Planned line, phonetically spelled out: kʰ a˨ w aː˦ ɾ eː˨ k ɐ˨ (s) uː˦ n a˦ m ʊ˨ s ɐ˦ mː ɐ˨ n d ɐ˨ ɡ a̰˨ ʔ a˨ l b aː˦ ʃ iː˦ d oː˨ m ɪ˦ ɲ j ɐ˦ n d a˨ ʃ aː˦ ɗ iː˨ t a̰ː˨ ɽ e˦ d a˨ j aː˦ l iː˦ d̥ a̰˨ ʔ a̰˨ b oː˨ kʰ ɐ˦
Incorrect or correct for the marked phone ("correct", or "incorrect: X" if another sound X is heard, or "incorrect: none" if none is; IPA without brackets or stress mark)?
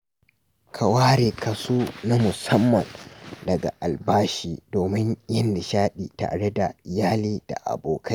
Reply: correct